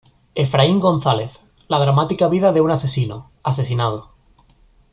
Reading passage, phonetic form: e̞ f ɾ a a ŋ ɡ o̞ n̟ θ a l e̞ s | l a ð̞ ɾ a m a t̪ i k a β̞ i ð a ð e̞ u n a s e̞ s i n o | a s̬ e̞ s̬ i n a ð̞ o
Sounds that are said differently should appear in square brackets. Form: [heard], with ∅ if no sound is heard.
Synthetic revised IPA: e̞ f ɾ a [i] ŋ ɡ o̞ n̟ θ a l e̞ [θ] | l a ð̞ ɾ a m a t̪ i k a β̞ i ð a ð e̞ u n a s e̞ s i n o | a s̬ e̞ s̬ i n a ð̞ o